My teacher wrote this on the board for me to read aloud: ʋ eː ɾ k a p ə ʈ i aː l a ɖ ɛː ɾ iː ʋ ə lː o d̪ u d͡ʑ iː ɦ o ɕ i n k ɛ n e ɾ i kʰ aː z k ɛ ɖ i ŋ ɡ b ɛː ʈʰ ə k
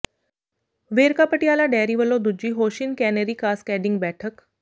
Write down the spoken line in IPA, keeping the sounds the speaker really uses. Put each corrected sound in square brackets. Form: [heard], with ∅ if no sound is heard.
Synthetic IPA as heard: ʋ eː ɾ k a p ə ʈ i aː l a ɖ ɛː ɾ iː ʋ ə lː o d̪ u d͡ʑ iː ɦ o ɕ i n k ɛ n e ɾ i [k] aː [s] k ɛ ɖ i ŋ ɡ b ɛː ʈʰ ə k

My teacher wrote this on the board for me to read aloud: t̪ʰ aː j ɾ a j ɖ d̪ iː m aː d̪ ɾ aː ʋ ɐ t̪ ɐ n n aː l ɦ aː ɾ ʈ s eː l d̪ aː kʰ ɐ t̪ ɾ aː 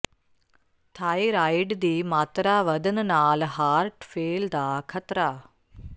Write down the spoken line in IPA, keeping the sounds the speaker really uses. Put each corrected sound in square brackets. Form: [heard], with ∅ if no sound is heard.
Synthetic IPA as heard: t̪ʰ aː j ɾ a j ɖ d̪ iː m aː [t̪] ɾ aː ʋ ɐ [d̪] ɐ n n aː l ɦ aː ɾ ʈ [f] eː l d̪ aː kʰ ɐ t̪ ɾ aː

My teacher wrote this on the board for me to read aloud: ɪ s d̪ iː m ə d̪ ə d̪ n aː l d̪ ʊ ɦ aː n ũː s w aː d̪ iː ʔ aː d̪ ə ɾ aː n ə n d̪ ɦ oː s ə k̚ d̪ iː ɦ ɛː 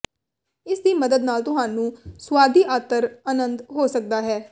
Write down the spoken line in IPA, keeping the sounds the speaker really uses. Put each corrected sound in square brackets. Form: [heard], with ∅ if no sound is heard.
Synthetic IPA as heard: ɪ s d̪ iː m ə d̪ ə d̪ n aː l [t̪] ʊ ɦ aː n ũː s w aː d̪ iː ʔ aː [t̪] ə ɾ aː n ə n d̪ ɦ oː s ə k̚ d̪ [aː] ɦ ɛː

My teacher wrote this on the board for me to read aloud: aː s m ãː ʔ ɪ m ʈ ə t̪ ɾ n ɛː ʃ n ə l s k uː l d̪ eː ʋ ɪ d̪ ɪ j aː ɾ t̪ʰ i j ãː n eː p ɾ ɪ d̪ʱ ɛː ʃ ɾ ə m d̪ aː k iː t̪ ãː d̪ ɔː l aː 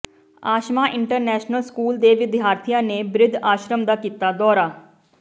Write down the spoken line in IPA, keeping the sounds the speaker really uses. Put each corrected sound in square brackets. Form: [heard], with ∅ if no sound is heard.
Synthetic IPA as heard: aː [ʃ] m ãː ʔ ɪ [ɳ] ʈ ə [∅] ɾ n ɛː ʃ n ə l s k uː l d̪ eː ʋ ɪ d̪ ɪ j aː ɾ t̪ʰ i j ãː n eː [b] ɾ ɪ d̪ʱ [aː] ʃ ɾ ə m d̪ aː k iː t̪ [aː] d̪ ɔː [ɾ] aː

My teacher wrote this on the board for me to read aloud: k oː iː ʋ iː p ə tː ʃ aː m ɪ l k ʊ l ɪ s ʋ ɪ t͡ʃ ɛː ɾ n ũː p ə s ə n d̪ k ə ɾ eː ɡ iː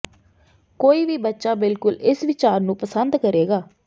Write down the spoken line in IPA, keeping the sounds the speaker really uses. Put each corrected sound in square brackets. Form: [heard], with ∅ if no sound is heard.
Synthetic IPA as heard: k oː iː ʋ iː [b] ə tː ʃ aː [b] ɪ l k ʊ l ɪ s ʋ ɪ t͡ʃ [aː] ɾ n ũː p ə s ə n d̪ k ə ɾ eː ɡ [aː]

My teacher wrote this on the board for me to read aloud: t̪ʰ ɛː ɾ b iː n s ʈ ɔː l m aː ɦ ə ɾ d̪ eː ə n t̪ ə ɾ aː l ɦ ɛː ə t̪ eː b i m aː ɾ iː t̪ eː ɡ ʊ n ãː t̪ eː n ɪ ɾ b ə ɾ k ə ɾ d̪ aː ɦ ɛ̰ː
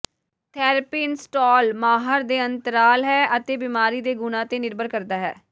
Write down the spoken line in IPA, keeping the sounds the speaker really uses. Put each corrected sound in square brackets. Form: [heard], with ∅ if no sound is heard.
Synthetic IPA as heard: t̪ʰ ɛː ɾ [p] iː n s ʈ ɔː l m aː ɦ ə ɾ d̪ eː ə n t̪ ə ɾ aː l ɦ ɛː ə t̪ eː b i m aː ɾ iː [d̪] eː ɡ ʊ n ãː t̪ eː n ɪ ɾ b ə ɾ k ə ɾ d̪ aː ɦ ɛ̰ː

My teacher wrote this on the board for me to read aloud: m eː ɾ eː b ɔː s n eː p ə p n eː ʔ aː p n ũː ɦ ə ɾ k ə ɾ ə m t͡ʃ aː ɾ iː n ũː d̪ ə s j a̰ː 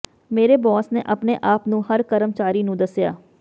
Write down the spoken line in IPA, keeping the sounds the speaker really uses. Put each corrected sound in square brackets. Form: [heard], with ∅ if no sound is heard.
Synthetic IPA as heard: m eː ɾ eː b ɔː s n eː [ʔ] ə p n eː ʔ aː p n ũː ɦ ə ɾ k ə ɾ ə m t͡ʃ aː ɾ iː n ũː d̪ ə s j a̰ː

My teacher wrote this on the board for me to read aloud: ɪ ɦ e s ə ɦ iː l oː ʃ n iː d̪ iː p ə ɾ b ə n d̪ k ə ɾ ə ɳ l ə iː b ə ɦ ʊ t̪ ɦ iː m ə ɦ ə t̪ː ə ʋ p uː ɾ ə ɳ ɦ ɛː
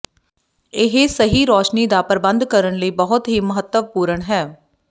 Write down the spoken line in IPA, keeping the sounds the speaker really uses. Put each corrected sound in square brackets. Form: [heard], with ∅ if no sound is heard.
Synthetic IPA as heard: ɪ ɦ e s ə ɦ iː [ɾ] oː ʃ n iː d̪ [aː] p ə ɾ b ə n d̪ k ə ɾ ə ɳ l ə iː b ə ɦ ʊ t̪ ɦ iː m ə ɦ ə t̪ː ə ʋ p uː ɾ ə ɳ ɦ ɛː

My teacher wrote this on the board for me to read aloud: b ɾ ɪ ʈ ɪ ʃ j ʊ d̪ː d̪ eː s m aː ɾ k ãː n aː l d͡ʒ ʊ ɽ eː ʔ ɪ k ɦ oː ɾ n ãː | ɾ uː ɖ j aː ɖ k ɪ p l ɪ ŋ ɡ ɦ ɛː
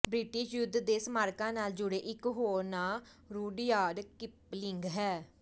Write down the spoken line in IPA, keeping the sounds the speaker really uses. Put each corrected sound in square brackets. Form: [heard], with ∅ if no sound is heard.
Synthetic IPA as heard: b ɾ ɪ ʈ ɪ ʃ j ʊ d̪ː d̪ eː s m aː ɾ k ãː n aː l d͡ʒ ʊ ɽ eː ʔ ɪ k ɦ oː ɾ n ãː | ɾ uː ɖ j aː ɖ k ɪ p l ɪ ŋ ɡ ɦ ɛː

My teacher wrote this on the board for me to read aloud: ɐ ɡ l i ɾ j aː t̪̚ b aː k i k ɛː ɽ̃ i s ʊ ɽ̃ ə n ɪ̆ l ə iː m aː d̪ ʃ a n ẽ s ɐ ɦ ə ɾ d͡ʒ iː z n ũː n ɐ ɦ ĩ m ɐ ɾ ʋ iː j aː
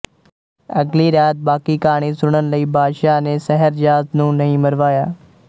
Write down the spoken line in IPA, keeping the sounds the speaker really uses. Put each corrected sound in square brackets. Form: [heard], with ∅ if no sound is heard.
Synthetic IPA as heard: ɐ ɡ l i ɾ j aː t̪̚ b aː k i k [aː] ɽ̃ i s ʊ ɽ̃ ə n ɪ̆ l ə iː [b] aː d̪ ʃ a n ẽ s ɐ ɦ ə ɾ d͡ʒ [aː] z n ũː n ɐ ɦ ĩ m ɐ ɾ ʋ [aː] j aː

